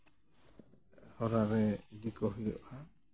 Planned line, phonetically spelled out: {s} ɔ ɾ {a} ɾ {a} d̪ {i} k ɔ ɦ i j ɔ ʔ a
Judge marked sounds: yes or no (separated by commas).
no, yes, no, yes